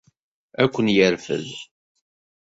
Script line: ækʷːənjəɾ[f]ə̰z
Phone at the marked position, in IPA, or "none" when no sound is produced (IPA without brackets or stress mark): f